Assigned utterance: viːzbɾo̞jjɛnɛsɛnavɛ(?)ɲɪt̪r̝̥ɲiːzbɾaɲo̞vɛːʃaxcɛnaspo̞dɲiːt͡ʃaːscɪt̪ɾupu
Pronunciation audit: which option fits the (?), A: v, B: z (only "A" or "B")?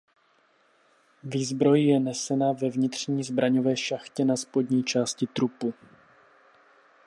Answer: A